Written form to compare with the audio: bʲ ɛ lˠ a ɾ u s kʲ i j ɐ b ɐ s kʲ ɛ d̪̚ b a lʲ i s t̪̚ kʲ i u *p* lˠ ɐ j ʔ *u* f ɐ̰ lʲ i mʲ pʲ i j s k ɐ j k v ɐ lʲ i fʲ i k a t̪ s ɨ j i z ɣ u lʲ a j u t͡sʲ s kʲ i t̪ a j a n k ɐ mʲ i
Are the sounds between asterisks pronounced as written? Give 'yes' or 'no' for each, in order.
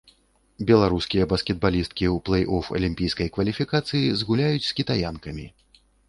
yes, no

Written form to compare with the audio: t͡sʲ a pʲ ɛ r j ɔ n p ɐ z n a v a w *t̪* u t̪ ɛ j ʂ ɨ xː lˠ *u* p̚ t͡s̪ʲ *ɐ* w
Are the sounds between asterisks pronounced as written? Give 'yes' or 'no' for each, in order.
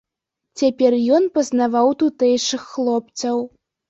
yes, no, yes

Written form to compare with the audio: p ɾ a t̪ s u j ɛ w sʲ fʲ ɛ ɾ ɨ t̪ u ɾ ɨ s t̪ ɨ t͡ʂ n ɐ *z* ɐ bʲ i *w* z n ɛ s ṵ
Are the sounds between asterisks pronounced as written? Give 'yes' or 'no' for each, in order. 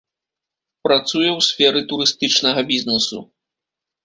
no, no

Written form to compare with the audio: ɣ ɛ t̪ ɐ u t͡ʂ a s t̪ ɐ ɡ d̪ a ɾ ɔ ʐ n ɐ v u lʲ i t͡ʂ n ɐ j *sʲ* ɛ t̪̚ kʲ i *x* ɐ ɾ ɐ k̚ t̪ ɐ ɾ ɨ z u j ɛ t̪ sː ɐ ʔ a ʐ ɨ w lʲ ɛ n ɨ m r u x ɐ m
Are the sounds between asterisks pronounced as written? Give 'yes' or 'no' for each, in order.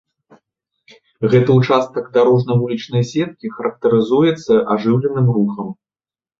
yes, yes

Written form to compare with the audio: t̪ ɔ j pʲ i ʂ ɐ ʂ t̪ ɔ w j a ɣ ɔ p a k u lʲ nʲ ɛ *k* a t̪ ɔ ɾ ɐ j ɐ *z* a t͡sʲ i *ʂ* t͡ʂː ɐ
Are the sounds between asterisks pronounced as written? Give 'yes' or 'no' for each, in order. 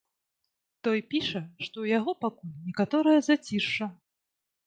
yes, yes, yes

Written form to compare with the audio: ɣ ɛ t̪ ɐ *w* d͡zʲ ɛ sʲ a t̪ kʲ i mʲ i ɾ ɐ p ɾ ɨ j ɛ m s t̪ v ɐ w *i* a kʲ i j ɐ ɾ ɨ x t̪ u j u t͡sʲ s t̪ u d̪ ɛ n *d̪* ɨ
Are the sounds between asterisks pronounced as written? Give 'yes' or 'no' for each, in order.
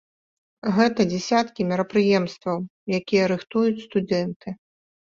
no, no, no

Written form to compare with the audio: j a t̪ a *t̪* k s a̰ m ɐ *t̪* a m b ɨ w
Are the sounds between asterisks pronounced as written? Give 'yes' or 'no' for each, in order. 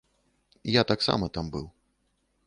no, yes

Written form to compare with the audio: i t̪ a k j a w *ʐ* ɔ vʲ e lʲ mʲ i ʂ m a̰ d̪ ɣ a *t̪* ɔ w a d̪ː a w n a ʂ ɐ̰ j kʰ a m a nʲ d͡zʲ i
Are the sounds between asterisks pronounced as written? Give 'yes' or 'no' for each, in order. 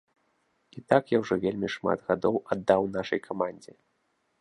yes, no

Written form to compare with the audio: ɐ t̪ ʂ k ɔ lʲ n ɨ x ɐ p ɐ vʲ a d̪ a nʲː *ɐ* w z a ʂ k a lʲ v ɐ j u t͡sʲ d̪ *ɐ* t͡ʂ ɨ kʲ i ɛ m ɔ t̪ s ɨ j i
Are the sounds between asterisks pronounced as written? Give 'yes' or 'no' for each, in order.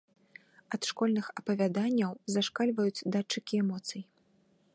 yes, no

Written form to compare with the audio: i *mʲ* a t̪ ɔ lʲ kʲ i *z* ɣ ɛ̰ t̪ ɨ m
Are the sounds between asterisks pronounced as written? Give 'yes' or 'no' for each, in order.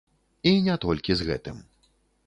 no, yes

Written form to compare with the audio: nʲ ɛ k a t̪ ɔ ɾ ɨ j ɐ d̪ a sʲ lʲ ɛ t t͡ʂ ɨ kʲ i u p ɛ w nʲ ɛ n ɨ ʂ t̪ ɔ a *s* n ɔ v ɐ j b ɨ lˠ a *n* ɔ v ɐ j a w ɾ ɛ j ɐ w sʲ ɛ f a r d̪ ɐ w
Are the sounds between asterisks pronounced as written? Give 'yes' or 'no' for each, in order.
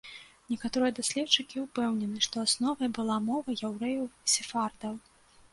yes, no

